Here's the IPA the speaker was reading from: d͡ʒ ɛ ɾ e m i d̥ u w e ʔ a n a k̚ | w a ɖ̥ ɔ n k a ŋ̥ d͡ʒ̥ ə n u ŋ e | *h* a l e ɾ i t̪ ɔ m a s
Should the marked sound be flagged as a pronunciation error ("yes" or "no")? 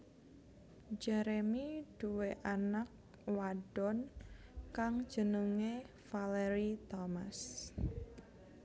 yes